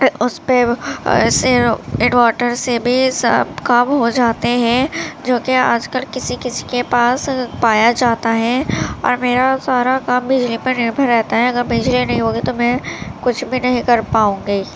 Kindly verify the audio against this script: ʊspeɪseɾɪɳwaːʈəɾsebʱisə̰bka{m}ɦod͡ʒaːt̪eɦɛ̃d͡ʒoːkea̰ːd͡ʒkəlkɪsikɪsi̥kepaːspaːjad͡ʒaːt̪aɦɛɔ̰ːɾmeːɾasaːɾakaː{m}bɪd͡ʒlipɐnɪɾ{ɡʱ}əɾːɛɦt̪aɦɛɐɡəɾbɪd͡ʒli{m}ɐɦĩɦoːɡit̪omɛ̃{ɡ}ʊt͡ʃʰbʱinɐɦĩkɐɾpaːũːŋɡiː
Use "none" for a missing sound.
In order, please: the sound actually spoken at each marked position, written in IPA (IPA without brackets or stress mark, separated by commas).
m, m, bʱ, n, k